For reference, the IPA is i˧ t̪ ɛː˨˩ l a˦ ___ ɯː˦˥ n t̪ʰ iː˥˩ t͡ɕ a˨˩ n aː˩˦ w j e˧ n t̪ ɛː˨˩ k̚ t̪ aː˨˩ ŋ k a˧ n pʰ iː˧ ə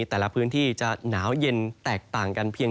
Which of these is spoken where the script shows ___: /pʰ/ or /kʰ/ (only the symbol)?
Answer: pʰ